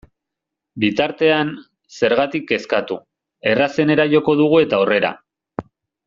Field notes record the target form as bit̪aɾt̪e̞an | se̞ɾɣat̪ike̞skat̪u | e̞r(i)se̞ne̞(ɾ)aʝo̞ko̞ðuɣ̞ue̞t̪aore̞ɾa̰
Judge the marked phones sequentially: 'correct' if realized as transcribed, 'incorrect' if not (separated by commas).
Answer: incorrect, correct